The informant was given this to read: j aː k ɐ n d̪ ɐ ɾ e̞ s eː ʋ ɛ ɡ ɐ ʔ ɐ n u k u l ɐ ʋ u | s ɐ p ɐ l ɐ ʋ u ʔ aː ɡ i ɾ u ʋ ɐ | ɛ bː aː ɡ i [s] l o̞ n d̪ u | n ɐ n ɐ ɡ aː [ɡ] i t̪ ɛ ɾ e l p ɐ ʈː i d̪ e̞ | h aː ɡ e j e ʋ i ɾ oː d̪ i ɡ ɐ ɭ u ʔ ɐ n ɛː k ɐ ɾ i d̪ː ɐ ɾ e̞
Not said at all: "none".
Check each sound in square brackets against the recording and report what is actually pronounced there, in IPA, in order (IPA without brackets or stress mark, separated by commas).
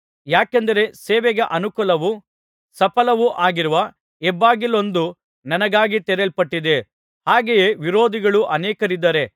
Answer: none, ɡ